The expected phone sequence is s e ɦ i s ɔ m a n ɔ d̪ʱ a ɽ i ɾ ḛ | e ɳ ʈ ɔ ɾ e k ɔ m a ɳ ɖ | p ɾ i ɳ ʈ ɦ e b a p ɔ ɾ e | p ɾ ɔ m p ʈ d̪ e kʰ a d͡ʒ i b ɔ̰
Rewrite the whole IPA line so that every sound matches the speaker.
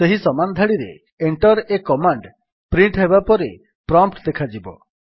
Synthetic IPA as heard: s e ɦ i s ɔ m a n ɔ d̪ʱ a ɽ i ɾ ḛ | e ɳ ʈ ɔ ɾ e k ɔ m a ɳ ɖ | p ɾ i ɳ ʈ ɦ e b a p ɔ ɾ e | p ɾ ɔ m p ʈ d̪ e kʰ a d͡ʒ i b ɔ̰